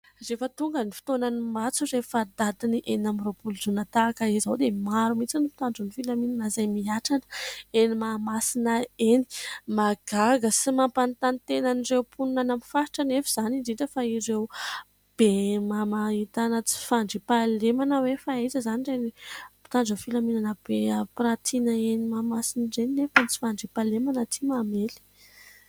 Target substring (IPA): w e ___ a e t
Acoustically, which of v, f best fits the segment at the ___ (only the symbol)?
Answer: f